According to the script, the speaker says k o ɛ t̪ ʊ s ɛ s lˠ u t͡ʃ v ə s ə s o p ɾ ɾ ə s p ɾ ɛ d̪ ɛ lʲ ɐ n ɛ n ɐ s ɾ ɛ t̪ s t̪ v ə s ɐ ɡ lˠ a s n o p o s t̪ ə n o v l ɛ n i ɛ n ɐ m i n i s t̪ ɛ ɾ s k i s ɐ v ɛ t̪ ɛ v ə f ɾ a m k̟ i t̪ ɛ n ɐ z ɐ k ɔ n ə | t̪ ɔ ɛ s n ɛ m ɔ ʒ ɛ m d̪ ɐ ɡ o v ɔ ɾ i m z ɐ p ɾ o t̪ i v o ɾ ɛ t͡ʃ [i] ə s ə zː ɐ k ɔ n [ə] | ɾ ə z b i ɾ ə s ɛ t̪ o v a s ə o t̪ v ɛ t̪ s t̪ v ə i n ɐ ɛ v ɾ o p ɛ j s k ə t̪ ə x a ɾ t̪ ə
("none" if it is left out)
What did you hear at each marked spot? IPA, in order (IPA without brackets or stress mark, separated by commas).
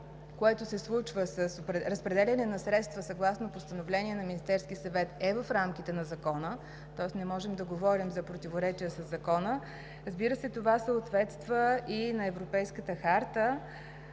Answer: i, ə